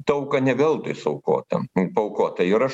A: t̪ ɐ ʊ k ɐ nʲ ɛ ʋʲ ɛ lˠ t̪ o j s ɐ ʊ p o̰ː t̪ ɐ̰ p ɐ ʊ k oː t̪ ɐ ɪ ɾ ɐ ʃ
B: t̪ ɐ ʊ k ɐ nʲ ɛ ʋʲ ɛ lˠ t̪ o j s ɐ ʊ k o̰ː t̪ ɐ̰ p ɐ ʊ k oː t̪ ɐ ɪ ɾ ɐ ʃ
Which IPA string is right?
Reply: B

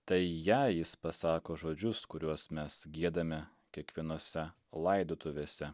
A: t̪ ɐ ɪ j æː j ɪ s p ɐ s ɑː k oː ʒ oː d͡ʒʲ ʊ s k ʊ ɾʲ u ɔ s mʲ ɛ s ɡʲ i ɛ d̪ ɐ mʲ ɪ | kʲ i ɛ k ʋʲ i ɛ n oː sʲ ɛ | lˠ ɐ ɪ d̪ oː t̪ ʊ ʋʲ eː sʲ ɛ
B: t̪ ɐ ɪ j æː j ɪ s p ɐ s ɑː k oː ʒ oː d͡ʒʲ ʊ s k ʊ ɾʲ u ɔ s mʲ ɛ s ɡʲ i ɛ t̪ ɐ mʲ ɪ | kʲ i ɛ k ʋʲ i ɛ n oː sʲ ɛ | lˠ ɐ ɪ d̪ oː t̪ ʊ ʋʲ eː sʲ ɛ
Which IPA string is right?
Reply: A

